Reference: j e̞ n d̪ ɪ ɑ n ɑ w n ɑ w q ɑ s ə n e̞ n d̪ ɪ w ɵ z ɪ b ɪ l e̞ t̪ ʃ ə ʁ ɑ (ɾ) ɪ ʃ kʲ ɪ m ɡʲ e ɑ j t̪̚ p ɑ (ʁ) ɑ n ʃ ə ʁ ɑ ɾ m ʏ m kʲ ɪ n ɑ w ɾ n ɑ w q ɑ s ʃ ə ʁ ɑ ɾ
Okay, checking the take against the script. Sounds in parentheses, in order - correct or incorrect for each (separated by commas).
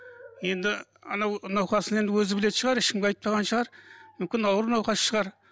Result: correct, correct